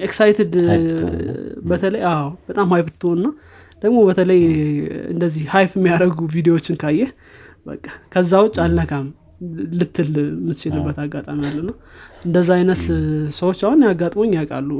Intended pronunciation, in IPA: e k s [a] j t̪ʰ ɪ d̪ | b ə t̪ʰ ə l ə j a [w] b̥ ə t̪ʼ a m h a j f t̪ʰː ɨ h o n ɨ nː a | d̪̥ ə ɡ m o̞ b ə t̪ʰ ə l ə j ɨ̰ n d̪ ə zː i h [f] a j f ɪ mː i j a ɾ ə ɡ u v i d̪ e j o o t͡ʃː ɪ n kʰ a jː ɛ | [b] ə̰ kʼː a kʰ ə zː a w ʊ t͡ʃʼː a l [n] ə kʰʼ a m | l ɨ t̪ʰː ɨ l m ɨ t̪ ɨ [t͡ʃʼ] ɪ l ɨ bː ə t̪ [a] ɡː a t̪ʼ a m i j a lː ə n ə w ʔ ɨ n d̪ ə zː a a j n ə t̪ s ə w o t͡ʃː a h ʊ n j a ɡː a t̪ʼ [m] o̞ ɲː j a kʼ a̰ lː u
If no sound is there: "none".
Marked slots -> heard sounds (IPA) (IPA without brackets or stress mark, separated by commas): a, w, h, b, n, t͡ʃ, a, m